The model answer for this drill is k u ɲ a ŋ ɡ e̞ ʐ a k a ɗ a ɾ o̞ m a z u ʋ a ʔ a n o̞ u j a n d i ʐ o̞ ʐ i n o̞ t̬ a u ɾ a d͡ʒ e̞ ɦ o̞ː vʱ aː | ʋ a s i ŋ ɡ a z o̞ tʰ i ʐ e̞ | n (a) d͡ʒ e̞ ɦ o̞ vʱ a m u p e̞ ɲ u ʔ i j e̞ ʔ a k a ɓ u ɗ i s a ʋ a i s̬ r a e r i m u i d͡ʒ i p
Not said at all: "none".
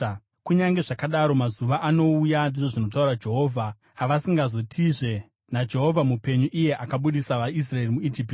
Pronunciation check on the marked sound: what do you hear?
a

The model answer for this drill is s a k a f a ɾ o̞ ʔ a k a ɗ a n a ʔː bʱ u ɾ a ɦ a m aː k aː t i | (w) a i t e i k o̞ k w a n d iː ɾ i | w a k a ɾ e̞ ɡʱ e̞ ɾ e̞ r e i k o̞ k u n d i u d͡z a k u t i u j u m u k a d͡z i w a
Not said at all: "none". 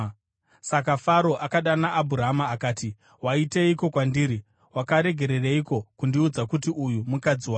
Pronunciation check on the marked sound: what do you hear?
w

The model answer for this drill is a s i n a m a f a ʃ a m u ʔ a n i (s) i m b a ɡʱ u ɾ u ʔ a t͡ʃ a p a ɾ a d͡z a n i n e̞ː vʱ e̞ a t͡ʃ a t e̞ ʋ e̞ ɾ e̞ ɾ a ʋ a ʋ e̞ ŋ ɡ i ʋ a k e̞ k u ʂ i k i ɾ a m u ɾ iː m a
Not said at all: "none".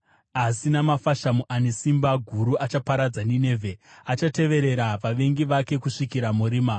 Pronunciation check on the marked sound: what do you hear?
s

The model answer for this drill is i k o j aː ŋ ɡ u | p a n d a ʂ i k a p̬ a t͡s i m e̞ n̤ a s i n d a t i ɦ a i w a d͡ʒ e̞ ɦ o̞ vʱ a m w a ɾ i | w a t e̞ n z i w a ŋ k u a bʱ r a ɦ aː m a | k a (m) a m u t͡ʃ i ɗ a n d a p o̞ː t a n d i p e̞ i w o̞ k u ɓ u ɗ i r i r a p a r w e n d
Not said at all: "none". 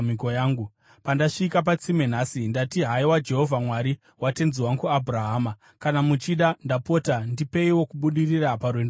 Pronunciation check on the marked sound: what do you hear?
n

